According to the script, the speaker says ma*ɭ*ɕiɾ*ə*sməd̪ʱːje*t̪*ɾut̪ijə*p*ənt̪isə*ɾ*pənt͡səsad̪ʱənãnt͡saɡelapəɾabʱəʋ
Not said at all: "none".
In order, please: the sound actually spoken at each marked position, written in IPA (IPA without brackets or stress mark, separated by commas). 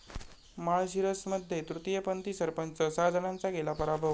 ɭ, ə, t̪, p, ɾ